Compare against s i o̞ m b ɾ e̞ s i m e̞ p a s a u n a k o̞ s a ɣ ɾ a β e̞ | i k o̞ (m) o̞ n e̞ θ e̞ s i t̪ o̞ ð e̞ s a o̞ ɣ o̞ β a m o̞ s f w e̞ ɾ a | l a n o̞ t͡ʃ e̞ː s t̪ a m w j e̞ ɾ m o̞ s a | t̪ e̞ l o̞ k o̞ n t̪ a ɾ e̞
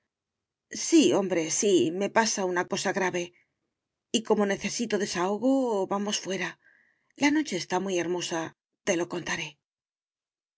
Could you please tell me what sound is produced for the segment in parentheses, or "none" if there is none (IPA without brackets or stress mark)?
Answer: m